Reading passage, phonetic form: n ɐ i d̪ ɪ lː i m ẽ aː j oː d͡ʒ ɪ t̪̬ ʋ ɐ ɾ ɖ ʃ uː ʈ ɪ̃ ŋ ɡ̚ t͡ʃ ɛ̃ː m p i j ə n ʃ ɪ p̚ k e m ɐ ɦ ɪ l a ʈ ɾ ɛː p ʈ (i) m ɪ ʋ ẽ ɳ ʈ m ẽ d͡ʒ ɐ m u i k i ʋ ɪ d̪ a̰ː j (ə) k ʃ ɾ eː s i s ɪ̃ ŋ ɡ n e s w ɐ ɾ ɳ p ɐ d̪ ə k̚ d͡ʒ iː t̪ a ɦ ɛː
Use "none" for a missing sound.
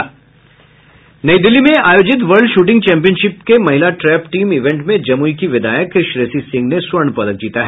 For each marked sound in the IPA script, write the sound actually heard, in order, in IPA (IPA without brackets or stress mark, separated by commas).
iː, ə